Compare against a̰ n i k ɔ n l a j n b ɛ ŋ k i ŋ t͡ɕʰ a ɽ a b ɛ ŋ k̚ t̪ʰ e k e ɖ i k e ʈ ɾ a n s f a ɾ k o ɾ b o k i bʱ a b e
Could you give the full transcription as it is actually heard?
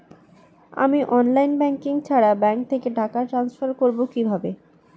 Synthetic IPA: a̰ m i ʔ ɔ n l a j n b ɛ ŋ k i ŋ t͡ɕʰ a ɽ a b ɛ ŋ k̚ t̪ʰ e k e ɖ a k a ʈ ɾ a n s f a ɾ k o ɾ b o k i bʱ a b e